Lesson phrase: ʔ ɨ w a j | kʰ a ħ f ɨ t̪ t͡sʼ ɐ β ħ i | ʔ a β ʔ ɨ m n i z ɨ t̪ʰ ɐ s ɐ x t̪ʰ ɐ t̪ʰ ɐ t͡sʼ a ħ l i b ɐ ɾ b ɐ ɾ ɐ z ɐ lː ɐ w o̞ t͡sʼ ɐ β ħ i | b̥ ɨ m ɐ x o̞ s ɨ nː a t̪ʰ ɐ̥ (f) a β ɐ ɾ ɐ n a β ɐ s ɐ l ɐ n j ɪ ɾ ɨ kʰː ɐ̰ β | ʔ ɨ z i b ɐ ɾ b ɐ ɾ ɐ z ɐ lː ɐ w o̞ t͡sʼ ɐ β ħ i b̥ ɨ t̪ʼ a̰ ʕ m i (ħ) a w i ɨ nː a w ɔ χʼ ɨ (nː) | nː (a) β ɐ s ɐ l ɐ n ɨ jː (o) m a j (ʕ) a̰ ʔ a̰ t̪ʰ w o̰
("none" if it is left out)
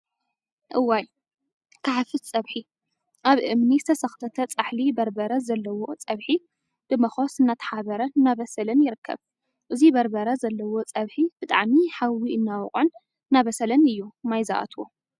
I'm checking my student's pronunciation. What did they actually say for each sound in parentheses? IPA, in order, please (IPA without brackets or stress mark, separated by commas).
ħ, ħ, n, a, u, z